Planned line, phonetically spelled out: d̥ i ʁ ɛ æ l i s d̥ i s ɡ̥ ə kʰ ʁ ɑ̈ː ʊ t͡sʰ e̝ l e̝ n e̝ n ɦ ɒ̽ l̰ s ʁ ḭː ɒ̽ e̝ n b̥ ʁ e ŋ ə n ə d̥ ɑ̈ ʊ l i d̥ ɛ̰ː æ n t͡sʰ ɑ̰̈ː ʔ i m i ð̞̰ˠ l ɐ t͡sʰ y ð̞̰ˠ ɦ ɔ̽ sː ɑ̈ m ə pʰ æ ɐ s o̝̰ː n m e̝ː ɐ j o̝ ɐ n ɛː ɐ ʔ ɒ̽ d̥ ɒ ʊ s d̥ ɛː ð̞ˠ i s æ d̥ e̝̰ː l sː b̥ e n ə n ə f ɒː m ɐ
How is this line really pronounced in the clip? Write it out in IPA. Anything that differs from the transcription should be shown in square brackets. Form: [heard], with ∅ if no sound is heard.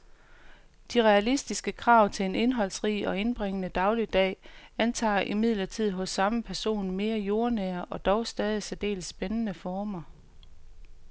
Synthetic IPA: d̥ i ʁ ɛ æ l i s d̥ i s ɡ̥ ə kʰ ʁ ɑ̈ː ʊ t͡sʰ e̝ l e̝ n e̝ n ɦ ɒ̽ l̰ s ʁ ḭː ɒ̽ e̝ n b̥ ʁ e ŋ ə n ə d̥ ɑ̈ ʊ l i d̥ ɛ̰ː æ n t͡sʰ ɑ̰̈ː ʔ i m i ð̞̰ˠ l ɐ t͡sʰ [i] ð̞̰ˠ ɦ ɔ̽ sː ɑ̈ m ə pʰ æ ɐ s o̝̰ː n m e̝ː ɐ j o̝ ɐ n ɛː ɐ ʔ ɒ̽ d̥ ɒ ʊ s d̥ ɛː ð̞ˠ i s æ d̥ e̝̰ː l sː b̥ e n ə n ə f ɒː m ɐ

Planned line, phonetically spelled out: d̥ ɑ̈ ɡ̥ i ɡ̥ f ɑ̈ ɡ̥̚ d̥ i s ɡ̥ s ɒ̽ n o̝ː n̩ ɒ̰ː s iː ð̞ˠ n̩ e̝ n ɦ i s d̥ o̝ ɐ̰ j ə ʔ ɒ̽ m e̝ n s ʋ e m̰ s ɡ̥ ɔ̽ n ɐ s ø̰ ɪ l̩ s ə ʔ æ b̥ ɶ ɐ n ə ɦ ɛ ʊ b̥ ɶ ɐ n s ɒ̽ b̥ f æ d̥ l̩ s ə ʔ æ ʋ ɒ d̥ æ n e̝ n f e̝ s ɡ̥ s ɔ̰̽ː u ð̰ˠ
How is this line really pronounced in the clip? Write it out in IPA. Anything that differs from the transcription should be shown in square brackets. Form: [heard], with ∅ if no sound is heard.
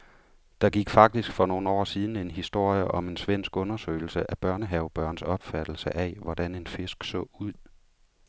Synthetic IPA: d̥ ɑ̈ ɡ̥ i ɡ̥ f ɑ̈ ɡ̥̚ d̥ i s ɡ̥ [f] ɒ̽ n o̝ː n̩ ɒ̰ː s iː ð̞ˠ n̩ e̝ n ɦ i s d̥ o̝ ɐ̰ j ə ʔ ɒ̽ m e̝ n s ʋ e [n̰] s ɡ̥ ɔ̽ n ɐ s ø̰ ɪ l̩ s ə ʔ æ b̥ ɶ ɐ n ə ɦ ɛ ʊ b̥ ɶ ɐ n s ɒ̽ b̥ f æ d̥ l̩ s ə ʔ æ ʋ ɒ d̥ æ n e̝ n f e̝ s ɡ̥ s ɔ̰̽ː u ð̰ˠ

